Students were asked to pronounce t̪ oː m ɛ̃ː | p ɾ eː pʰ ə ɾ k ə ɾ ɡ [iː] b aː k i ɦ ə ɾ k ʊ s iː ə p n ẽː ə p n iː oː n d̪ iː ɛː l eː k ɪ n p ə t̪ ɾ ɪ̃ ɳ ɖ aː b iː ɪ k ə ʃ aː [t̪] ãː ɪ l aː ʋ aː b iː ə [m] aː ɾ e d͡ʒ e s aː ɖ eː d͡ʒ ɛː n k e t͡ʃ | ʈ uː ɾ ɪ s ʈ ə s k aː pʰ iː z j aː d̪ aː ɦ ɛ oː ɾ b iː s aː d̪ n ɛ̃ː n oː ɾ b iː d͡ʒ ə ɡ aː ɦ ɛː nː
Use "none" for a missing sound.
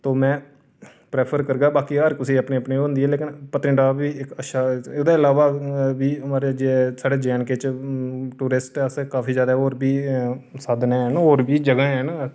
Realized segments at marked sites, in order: aː, d̪, m

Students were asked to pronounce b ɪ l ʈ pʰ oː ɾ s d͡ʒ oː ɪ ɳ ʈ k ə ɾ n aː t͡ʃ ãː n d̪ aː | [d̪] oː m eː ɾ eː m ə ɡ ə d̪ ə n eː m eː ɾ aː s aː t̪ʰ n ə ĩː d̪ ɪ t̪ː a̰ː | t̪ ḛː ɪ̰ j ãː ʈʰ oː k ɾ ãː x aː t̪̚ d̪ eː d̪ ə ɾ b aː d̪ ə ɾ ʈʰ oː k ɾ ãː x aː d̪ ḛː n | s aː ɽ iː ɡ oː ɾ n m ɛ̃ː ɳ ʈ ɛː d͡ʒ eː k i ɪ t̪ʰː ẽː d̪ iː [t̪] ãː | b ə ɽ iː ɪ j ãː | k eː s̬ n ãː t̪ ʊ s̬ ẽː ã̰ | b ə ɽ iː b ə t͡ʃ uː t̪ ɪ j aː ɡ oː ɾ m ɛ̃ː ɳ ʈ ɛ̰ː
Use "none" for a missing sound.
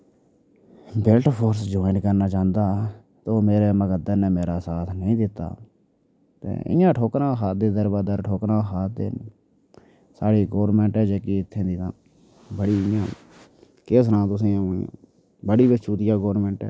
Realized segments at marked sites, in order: t̪, t̪

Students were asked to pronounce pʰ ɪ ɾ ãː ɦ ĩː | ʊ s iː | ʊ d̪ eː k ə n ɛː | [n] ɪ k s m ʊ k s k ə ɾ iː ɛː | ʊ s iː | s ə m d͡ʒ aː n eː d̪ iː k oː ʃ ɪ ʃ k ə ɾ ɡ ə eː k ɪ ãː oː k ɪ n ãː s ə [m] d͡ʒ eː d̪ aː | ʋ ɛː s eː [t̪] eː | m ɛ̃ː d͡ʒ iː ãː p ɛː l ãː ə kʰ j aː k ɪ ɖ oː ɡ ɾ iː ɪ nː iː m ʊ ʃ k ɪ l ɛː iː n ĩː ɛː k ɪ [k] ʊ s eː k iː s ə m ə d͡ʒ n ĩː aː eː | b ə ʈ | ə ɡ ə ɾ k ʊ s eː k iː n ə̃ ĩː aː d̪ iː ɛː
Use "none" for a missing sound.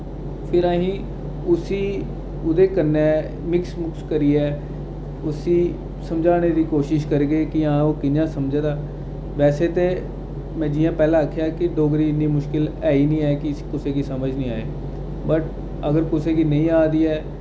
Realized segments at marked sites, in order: m, m, t̪, k

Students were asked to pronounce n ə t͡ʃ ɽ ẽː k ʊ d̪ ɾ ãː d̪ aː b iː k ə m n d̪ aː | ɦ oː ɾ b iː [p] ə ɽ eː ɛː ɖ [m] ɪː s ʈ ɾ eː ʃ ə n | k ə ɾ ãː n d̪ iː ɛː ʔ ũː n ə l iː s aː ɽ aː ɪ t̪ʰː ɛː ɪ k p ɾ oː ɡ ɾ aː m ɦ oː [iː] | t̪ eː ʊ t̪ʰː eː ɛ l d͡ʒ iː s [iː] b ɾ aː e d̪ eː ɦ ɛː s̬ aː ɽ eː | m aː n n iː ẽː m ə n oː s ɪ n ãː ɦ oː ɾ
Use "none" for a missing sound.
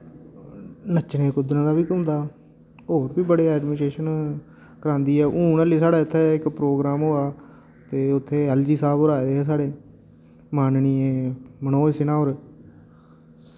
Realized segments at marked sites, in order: b, m, aː, aː

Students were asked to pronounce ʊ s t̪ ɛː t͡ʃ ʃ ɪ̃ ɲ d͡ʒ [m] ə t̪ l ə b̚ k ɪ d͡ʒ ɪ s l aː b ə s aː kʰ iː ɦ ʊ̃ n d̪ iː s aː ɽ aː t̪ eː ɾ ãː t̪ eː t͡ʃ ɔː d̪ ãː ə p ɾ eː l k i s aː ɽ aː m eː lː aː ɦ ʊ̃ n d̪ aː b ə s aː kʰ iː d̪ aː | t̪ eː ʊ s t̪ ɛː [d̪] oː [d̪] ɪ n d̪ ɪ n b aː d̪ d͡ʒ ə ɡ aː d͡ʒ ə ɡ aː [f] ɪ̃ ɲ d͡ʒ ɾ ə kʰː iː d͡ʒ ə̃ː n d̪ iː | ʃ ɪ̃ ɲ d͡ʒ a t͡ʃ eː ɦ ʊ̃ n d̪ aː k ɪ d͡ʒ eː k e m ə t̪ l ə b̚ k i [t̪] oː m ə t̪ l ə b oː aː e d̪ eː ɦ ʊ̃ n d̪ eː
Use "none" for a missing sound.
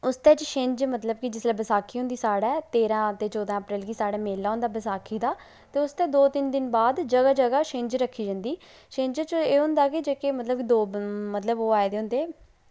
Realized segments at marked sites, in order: m, d̪, t̪, ʃ, d̪

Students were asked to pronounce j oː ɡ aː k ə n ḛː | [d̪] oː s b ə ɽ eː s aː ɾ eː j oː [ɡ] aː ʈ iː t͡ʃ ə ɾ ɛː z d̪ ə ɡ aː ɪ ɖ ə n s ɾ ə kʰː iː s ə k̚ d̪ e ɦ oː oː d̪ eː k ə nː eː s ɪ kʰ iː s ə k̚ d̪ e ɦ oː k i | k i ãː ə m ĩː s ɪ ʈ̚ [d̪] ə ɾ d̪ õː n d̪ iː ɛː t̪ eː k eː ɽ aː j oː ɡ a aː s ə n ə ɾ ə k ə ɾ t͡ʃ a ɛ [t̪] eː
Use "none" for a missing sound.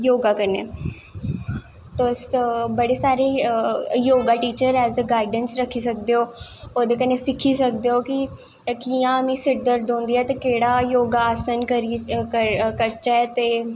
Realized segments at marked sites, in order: t̪, ɡ, d̪, t̪

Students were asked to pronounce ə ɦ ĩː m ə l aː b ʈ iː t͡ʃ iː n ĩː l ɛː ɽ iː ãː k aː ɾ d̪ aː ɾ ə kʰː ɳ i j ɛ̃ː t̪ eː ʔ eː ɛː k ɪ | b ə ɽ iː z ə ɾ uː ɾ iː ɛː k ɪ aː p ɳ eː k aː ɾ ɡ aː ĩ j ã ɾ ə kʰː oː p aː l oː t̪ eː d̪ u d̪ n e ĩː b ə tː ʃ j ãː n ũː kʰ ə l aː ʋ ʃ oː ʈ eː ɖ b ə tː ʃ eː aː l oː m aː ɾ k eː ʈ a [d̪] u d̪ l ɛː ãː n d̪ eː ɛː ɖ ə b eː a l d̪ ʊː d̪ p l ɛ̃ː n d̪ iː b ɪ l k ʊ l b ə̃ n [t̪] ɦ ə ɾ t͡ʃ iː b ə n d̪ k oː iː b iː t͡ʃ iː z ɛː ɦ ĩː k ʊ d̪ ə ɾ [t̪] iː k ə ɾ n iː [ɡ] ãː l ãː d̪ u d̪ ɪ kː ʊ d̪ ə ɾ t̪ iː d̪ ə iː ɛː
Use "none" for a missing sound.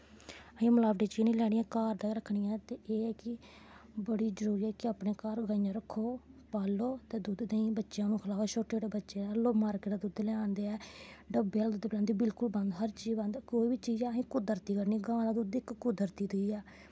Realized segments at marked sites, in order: d̪, d̪, t̪, ɡ

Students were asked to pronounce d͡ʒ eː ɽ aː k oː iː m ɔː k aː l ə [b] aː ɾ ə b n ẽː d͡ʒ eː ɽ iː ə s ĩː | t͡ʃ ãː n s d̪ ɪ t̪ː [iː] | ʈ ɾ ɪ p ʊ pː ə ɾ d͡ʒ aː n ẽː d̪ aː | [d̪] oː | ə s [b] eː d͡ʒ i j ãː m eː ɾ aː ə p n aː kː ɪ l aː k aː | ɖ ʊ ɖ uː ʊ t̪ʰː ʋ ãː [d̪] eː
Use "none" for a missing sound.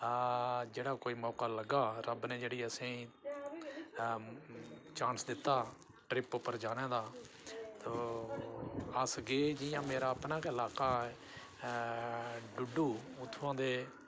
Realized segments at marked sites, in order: ɡ, aː, t̪, ɡ, d̪

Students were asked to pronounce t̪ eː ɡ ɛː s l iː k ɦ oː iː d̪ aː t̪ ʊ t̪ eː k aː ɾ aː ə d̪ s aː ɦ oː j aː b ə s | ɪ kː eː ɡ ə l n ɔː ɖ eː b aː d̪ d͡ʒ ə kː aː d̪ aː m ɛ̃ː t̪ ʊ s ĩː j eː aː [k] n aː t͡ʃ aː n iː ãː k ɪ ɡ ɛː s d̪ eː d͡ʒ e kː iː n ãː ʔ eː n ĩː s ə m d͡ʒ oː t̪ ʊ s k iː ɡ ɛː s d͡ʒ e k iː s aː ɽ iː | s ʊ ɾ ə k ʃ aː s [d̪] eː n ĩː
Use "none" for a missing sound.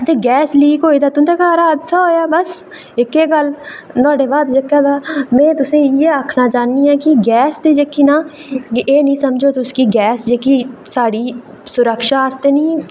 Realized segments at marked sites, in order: kʰ, t̪

